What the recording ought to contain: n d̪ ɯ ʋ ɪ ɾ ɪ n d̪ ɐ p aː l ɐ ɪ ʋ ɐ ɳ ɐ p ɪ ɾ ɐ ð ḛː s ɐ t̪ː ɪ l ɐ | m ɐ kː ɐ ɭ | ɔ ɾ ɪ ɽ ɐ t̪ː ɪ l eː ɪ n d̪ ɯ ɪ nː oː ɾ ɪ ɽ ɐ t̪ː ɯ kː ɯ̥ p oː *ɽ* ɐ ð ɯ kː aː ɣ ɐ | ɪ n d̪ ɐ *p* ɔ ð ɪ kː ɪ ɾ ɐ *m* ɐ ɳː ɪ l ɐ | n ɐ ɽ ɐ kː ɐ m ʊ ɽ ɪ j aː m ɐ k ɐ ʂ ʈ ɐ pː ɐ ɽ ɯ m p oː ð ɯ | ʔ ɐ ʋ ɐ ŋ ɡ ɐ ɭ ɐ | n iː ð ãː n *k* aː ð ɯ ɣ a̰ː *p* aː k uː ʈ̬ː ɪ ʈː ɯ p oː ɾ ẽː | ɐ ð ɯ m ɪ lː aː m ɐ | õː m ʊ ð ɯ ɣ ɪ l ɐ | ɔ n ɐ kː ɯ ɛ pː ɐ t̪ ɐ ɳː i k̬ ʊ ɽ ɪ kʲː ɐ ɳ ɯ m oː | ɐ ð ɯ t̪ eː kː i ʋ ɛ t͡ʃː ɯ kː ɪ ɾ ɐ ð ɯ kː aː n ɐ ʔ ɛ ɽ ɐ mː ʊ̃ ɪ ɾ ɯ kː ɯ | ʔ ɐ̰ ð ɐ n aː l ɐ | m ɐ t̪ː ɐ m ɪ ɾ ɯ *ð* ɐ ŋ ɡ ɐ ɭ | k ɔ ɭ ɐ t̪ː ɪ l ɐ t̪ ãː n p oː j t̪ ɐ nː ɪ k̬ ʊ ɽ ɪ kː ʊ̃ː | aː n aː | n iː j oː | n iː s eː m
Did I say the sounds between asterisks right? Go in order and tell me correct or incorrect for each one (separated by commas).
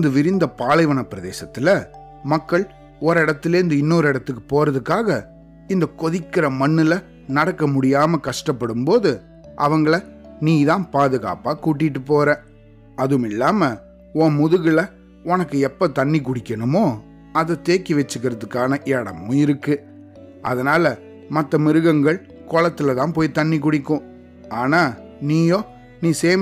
incorrect, incorrect, correct, incorrect, correct, incorrect